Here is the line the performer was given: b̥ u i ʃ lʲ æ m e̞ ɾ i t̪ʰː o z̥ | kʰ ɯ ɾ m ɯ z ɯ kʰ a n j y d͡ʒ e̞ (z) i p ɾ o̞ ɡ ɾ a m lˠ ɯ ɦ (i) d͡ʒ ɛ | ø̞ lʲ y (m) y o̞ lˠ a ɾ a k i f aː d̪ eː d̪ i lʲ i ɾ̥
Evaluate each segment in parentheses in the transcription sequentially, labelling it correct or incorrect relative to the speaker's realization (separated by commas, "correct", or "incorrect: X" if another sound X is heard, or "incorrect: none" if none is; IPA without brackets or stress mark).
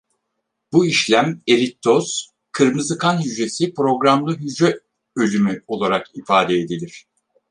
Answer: incorrect: s, incorrect: y, correct